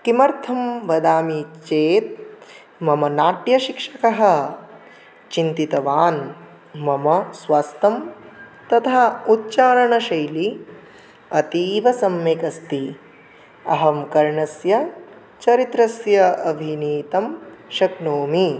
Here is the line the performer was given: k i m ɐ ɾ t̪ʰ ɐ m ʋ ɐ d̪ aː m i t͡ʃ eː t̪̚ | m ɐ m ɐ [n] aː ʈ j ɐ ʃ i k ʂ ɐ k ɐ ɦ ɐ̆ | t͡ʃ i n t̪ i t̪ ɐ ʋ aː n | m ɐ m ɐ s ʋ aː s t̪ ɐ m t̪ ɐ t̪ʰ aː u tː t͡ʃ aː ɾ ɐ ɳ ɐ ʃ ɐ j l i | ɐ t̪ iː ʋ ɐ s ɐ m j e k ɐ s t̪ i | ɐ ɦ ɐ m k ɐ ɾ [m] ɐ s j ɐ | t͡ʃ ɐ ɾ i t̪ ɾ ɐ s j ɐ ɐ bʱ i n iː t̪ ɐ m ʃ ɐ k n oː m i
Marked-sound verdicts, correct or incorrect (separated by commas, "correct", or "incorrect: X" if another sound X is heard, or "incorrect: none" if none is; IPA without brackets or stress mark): correct, incorrect: ɳ